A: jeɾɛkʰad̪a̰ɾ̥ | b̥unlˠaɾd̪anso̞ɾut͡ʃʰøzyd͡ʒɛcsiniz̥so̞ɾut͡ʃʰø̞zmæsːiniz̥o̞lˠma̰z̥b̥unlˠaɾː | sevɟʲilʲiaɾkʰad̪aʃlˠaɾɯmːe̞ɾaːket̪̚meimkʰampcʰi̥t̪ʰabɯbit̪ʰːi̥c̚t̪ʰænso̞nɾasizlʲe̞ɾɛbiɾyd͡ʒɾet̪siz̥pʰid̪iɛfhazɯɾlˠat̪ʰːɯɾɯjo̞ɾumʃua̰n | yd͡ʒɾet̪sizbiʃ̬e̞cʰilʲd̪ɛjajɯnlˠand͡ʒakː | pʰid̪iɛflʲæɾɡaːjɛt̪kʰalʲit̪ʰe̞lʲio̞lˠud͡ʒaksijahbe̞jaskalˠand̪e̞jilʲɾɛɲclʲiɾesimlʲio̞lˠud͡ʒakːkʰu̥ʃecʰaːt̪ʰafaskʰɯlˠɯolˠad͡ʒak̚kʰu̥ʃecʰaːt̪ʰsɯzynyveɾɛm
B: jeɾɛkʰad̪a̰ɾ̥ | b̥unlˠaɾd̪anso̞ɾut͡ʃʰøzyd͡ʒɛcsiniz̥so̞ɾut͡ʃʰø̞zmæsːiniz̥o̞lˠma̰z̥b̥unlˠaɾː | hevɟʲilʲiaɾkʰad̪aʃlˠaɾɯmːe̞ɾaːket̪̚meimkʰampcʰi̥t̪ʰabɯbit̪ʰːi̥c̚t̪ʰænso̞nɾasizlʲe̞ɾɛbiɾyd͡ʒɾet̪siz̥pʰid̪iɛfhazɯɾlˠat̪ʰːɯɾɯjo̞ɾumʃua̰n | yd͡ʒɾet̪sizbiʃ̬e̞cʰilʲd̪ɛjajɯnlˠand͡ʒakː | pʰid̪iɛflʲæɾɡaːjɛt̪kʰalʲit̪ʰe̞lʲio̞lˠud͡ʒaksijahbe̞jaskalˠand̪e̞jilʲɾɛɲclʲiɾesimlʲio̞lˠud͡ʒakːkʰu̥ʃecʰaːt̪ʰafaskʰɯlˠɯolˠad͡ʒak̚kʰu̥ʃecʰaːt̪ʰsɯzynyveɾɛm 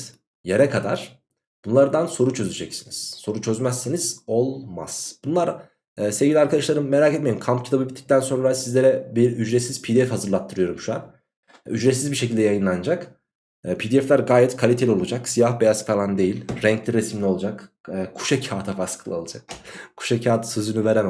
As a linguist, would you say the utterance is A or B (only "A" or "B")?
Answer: A